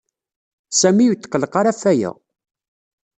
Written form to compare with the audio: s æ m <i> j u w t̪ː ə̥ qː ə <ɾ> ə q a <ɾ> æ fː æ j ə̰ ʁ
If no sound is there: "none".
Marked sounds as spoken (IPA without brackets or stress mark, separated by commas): i, l, ɾ